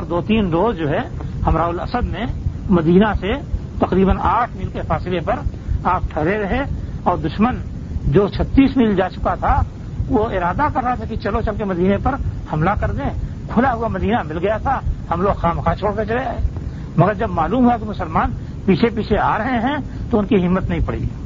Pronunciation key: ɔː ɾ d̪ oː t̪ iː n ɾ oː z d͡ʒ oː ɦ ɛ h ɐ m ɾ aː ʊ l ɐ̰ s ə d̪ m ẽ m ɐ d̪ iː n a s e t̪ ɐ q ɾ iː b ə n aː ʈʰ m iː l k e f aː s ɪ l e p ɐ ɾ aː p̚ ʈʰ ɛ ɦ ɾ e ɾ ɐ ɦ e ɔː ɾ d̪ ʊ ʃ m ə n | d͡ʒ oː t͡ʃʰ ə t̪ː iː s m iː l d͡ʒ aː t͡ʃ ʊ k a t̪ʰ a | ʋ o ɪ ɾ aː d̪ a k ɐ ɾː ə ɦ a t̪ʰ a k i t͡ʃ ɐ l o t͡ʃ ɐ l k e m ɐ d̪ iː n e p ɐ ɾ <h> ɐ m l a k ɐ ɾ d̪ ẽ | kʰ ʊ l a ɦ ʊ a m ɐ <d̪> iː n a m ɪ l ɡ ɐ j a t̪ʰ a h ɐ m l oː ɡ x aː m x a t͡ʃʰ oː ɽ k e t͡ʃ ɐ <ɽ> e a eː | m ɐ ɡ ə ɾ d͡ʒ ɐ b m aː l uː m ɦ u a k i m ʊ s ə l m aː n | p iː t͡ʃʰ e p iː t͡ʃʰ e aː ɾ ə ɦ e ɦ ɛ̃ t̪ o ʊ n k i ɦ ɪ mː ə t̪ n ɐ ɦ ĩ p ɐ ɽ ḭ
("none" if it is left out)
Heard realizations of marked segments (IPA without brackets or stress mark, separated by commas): h, d̪, l